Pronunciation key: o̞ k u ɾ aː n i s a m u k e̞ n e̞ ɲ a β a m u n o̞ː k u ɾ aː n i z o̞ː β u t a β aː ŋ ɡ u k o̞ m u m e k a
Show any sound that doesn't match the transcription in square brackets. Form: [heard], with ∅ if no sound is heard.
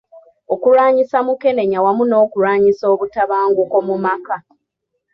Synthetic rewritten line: o̞ k u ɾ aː [ɲ] i s a m u k e̞ n e̞ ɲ a [w] a m u n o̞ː k u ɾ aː [ɲ] i [s] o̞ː β u t a β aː ŋ ɡ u k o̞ m u m [a] k a